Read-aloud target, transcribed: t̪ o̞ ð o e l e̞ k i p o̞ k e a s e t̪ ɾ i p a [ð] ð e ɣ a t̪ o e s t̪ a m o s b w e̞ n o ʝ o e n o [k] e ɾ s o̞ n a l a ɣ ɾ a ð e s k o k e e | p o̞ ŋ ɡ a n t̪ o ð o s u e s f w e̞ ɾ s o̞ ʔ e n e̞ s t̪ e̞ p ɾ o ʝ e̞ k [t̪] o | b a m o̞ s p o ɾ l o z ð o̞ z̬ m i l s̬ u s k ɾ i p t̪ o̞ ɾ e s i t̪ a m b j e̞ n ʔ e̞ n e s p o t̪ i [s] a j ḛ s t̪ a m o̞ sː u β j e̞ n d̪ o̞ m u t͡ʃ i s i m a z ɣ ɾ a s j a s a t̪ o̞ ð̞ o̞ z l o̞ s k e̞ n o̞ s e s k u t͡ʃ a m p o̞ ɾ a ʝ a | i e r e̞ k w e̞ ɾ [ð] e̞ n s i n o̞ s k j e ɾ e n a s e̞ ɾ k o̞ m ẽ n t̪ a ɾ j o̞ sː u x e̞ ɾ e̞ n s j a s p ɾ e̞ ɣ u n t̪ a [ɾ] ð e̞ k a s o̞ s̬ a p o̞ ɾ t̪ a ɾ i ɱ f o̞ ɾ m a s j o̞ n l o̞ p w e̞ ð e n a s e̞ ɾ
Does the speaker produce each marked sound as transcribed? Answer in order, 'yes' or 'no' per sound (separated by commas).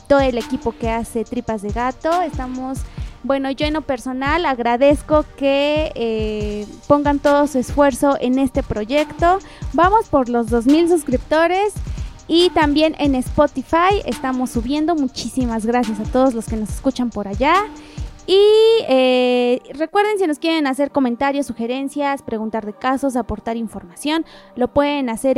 no, no, yes, no, yes, yes